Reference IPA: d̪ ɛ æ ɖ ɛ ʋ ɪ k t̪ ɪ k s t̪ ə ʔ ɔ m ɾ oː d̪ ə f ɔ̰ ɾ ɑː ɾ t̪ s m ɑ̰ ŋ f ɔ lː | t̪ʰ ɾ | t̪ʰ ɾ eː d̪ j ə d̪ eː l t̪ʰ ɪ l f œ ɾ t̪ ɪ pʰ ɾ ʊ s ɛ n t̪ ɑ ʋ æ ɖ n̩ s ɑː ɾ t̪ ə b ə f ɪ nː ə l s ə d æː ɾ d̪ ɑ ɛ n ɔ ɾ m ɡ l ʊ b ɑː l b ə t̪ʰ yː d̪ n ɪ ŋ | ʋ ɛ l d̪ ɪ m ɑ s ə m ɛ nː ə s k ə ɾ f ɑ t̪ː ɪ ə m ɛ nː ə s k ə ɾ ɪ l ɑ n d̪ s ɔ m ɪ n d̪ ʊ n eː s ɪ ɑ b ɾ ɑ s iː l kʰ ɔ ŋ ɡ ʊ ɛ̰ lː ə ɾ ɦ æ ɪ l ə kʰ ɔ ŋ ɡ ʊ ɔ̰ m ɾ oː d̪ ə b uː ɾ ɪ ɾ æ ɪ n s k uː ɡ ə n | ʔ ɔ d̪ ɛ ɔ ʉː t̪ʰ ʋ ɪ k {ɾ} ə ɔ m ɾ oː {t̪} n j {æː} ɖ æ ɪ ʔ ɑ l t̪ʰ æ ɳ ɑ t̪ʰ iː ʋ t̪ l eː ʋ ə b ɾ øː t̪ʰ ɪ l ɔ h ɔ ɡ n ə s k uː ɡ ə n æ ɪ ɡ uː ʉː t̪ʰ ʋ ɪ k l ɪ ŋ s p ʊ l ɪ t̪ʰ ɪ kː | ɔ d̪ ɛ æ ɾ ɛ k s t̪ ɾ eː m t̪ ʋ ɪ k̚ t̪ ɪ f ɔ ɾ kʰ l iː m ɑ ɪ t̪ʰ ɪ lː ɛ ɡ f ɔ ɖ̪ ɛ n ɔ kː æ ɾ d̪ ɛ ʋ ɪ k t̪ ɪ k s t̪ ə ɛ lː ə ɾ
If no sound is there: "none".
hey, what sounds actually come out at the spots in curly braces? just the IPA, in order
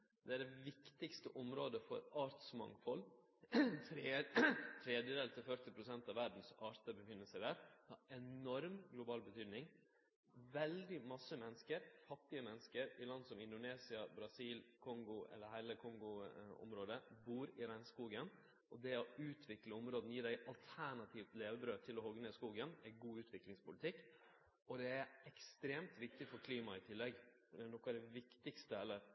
l, d̪, iː

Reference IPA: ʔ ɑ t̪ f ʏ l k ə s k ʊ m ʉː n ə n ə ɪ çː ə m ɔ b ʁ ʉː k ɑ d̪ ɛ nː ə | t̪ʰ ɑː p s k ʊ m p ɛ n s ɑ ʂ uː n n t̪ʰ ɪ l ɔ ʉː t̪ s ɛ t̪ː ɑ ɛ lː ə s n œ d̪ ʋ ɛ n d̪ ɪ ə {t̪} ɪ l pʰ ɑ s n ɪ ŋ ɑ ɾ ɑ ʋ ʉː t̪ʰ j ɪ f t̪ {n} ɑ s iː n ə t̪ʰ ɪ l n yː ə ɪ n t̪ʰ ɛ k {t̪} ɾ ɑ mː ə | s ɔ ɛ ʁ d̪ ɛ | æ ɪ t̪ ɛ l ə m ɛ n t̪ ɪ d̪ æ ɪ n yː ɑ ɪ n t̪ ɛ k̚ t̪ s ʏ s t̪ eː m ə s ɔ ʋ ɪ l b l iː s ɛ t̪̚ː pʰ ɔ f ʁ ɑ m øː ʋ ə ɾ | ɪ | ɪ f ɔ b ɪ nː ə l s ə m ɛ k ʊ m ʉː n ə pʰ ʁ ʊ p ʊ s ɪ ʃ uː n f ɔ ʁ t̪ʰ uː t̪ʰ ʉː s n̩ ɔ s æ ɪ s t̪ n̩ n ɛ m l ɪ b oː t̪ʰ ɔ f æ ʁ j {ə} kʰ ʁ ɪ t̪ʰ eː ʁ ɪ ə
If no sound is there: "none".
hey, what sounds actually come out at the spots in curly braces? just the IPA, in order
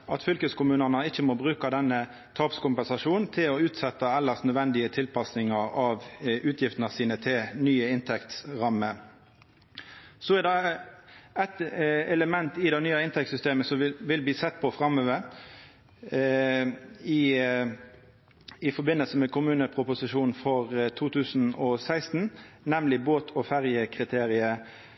t̪ʰ, n, t̪, ə

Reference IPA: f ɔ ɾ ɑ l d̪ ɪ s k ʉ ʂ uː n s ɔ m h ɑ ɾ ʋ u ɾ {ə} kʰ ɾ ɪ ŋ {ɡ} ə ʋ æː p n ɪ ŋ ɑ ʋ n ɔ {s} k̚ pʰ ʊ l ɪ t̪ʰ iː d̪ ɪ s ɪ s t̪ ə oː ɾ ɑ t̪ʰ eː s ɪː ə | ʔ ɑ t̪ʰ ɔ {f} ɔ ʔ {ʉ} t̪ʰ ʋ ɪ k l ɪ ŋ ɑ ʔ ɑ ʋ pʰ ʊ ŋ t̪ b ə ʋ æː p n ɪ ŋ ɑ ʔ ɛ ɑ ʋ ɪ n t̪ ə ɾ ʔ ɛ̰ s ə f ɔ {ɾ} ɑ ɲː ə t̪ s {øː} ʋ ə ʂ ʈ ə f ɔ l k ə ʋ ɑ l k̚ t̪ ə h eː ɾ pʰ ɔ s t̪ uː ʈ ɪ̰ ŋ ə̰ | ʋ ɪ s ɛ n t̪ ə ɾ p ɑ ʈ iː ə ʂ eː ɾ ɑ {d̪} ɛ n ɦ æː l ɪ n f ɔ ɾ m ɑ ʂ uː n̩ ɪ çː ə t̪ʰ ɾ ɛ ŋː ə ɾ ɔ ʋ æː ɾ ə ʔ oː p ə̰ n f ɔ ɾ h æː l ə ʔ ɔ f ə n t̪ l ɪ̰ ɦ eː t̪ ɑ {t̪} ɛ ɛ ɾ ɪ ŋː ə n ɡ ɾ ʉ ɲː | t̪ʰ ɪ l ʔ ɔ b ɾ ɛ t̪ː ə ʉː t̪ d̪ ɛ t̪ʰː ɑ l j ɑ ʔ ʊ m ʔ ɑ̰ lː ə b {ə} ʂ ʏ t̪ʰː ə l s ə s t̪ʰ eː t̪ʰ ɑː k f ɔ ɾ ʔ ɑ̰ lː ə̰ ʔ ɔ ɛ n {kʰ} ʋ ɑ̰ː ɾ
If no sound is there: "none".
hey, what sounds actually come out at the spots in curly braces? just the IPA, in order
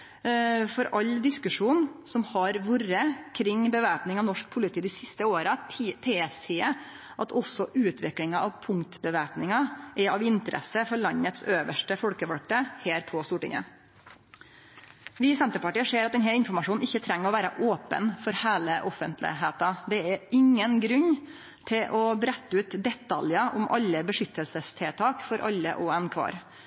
ə, b, ʂ, s, ʉː, ɭ, øː, t̪, d̪, ə, kʰ

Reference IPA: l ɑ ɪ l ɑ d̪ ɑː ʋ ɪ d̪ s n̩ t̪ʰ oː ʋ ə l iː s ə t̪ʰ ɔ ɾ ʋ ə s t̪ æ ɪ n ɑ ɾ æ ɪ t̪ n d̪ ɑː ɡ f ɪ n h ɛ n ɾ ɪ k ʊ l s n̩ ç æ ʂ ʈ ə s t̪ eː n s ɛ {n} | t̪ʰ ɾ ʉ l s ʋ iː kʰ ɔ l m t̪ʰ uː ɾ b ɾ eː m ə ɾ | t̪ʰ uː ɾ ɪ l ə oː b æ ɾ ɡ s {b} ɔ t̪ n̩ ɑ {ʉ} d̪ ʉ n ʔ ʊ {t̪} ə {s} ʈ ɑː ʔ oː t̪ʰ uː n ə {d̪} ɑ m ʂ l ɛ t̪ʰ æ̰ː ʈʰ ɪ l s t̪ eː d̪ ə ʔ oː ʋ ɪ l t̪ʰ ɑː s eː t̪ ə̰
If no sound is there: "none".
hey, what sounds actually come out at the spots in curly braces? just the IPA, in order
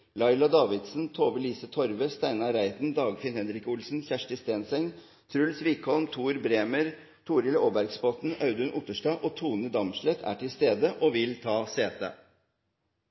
ŋ, p, ʉ, t̪, ʂ, d̪

